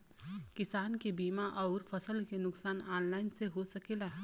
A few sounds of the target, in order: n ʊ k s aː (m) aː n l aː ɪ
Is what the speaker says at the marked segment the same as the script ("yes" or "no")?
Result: no